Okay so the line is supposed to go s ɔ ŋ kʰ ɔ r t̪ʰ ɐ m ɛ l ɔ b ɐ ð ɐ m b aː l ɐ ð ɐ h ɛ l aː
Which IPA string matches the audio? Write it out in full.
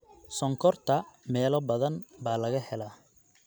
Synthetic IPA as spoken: s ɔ ŋ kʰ ɔ r t̪ʰ ɐ m ɛː l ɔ b ɐ ð ɐ n b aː l ɐ ɣ ɐ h ɛ l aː